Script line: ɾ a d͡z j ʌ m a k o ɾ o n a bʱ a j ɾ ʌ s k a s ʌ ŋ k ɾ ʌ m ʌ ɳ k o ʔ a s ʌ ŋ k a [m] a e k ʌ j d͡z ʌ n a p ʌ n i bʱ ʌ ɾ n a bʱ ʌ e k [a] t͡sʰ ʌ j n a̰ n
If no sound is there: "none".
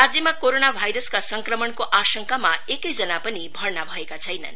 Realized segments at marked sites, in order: m, a

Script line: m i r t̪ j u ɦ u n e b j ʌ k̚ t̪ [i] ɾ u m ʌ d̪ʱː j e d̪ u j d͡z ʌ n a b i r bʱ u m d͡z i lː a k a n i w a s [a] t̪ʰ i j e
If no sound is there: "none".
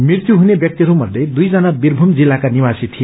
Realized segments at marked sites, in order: i, i

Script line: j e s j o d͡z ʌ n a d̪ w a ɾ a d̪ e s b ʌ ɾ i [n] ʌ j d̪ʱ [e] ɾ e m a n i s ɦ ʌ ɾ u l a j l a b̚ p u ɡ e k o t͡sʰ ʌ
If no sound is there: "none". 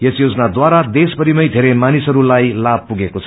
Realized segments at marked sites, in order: m, e

